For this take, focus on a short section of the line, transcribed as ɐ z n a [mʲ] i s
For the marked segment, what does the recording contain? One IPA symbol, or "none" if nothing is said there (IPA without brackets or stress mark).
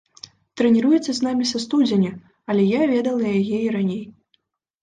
mʲ